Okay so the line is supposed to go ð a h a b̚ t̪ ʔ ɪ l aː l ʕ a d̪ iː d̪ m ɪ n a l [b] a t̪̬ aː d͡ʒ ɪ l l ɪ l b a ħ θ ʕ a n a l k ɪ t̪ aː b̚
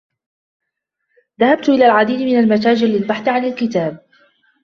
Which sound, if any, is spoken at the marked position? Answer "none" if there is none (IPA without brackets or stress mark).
m